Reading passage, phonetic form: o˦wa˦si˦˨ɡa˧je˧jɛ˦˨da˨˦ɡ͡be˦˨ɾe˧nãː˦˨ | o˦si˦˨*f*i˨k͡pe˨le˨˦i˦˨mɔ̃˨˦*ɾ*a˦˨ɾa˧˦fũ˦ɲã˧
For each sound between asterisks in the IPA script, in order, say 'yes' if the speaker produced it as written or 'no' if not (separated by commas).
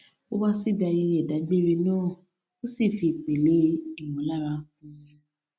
yes, no